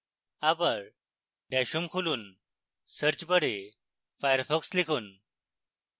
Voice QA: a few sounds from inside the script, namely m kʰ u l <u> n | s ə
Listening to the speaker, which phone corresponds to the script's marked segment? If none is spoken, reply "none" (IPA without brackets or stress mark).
uː